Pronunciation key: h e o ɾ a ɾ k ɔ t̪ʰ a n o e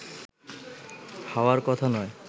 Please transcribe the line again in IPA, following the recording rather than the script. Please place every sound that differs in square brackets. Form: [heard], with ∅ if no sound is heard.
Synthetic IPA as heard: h [a] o [∅] a ɾ k ɔ t̪ʰ a n [ɔ] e